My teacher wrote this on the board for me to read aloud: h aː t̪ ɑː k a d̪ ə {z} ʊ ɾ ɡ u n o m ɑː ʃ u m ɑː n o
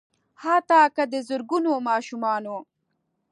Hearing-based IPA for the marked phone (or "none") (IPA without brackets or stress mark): z